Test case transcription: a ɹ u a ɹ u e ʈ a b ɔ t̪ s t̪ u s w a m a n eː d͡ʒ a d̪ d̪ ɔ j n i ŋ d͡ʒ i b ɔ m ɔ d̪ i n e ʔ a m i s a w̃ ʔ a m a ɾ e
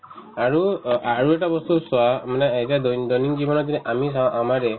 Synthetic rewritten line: a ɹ u a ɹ u e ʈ a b ɔ s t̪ u s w a m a n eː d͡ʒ a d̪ d̪ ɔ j n i ŋ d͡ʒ i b ɔ n ɔ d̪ i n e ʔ a m i s a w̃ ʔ a m a ɾ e